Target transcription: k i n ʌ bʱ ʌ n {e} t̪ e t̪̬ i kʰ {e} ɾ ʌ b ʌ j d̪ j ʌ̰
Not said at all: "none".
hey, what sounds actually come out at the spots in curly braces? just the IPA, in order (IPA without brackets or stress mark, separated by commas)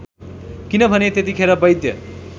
e, e